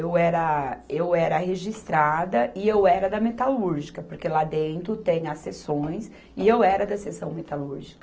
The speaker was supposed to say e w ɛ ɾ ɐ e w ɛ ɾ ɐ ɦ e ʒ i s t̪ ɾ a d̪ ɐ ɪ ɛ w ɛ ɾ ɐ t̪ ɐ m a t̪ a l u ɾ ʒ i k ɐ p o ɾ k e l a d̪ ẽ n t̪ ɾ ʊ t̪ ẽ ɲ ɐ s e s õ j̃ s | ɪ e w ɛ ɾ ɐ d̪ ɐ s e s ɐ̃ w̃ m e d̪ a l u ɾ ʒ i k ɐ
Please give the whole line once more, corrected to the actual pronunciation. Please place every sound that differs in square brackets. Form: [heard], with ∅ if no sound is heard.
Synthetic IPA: e w ɛ ɾ ɐ e w ɛ ɾ ɐ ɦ e ʒ i s t̪ ɾ a d̪ ɐ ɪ [e] w ɛ ɾ ɐ [d̪] ɐ m [e] t̪ a l u ɾ ʒ i k ɐ p o ɾ k e l a d̪ ẽ n t̪ ɾ ʊ t̪ ẽ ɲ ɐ s e s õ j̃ s | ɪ e w ɛ ɾ ɐ d̪ ɐ s e s ɐ̃ w̃ m e [t̪] a l u ɾ ʒ i k ɐ